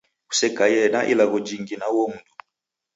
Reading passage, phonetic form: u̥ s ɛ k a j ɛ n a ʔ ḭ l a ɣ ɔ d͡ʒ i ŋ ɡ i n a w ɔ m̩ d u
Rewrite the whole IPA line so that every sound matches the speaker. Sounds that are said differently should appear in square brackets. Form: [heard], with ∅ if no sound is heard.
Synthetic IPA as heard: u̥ s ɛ k a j ɛ n a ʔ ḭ l a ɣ ɔ d͡ʒ i ŋ ɡ i n a w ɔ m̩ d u

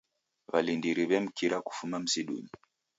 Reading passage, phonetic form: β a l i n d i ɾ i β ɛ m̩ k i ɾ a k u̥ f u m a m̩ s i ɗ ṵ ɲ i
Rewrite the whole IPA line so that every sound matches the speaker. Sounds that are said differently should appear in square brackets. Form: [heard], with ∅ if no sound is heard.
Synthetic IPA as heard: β a l i n d i ɾ i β ɛ m̩ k i ɾ a k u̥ f u m a m̩ s i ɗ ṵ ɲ i

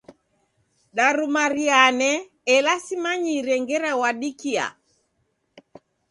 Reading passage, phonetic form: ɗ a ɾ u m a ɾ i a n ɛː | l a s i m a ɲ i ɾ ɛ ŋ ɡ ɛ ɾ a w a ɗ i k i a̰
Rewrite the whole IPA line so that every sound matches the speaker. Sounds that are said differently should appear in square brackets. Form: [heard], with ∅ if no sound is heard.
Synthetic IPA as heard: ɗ a ɾ u m a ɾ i a n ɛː | l a s i m a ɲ i ɾ ɛ ŋ ɡ ɛ ɾ a w a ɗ i k i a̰

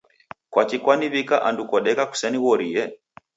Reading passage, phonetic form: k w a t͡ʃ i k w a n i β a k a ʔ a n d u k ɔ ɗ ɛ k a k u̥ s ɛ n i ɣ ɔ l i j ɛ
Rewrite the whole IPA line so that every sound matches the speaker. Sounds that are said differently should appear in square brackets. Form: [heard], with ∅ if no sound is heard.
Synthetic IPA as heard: k w a t͡ʃ i k w a n i β [i] k a ʔ a n d u k ɔ ɗ ɛ k a k u̥ s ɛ n i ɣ ɔ [ɾ] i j ɛ

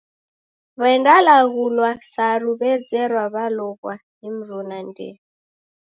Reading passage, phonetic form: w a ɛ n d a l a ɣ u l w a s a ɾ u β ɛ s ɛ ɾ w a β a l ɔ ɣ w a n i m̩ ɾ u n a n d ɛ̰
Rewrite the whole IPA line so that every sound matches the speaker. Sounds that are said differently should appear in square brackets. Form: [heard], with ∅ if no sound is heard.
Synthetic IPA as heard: [β] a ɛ n d a l a ɣ u l w a s a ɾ u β ɛ [z] ɛ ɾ w a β a l ɔ ɣ w a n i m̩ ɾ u n a n d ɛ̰

